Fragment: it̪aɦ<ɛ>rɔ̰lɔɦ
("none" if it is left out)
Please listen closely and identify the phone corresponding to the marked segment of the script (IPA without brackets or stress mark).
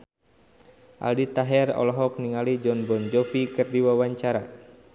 ɛ